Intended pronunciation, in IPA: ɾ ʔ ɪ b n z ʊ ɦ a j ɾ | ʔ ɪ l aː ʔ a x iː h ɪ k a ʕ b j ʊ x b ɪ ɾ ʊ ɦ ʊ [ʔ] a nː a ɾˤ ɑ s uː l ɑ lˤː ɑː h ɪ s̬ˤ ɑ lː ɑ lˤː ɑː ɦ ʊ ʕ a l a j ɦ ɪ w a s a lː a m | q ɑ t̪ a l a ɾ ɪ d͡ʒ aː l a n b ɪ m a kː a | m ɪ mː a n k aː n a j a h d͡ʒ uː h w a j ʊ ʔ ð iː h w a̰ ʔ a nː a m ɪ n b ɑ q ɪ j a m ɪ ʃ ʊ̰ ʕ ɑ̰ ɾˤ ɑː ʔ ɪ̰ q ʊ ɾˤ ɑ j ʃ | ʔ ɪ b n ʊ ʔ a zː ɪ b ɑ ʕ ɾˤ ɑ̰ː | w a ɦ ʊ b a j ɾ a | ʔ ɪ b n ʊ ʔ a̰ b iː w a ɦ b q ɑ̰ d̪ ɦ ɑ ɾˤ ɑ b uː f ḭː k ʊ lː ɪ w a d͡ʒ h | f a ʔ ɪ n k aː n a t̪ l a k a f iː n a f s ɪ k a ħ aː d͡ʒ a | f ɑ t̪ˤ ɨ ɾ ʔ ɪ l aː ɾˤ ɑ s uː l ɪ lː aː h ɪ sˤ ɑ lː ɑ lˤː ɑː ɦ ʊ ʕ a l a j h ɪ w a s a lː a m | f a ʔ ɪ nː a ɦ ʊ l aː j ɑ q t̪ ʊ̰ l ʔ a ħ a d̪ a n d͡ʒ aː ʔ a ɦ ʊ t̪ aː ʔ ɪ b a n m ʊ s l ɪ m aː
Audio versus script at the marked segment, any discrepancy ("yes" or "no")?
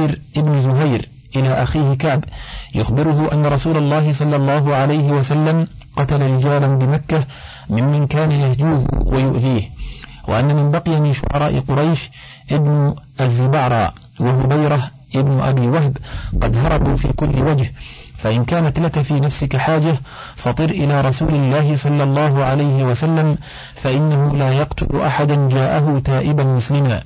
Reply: no